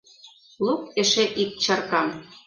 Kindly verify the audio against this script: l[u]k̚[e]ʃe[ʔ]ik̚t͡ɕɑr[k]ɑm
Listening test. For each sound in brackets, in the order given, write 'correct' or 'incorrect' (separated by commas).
correct, correct, correct, correct